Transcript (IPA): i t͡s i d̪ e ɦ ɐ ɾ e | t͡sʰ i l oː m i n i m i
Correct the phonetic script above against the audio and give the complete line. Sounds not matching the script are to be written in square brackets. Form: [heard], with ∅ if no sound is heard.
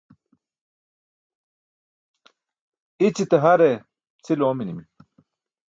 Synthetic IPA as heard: i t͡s i [t̪] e ɦ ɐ ɾ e | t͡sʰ i l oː m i n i m i